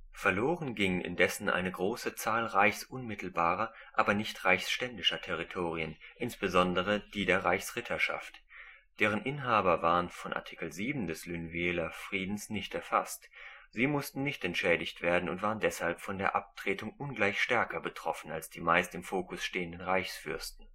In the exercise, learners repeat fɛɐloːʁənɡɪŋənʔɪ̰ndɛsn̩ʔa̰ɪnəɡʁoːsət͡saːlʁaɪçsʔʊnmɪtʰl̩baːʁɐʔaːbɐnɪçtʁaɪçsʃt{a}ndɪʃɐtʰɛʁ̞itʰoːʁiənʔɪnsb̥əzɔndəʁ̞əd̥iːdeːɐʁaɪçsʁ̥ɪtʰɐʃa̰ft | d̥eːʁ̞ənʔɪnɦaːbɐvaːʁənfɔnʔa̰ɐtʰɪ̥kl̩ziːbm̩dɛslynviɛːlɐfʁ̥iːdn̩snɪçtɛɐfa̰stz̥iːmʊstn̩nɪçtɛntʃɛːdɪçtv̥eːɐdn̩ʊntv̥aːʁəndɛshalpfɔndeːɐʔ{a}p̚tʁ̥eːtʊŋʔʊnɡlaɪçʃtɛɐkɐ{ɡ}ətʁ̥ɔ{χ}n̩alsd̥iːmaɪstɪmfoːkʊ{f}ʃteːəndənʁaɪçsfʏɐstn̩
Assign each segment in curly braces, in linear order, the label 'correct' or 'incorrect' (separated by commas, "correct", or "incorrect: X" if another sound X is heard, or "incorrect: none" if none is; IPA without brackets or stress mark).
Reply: incorrect: ɛ, correct, incorrect: b, incorrect: f, incorrect: s